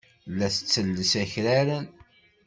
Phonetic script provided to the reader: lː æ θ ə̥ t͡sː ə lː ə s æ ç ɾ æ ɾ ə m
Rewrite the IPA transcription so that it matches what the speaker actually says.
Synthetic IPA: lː æ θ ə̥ t͡sː ə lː ə s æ ç ɾ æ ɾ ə n